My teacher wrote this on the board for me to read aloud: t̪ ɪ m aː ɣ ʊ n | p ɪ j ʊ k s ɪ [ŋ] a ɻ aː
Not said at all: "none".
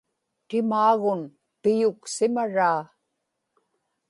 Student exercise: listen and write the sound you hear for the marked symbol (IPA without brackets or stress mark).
m